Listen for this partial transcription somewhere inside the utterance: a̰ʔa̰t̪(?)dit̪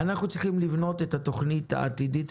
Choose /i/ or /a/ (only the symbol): i